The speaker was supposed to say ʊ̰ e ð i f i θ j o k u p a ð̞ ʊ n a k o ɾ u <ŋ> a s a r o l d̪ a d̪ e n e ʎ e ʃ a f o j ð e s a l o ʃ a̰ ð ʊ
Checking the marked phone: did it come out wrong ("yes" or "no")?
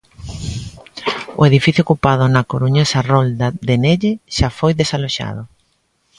yes